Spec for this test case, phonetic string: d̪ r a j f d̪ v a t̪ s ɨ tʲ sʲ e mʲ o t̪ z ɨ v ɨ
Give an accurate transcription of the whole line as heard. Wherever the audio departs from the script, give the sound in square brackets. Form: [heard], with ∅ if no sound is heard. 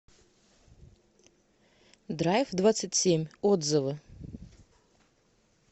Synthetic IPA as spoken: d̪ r a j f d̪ v a t̪ s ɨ tʲ sʲ e mʲ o [d̪] z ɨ v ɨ